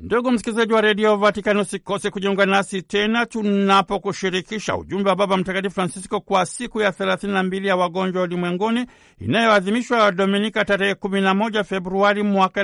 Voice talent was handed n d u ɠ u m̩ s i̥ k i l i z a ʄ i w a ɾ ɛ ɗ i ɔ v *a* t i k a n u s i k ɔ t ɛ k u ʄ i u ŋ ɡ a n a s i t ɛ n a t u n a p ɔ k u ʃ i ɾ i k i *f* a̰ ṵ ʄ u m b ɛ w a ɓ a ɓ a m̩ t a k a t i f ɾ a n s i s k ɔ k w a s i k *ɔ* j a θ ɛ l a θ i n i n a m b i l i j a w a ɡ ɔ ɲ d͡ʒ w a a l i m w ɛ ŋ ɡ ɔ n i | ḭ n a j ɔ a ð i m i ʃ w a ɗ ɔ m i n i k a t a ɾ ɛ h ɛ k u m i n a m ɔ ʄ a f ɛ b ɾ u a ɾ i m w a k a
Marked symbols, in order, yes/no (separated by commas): yes, no, no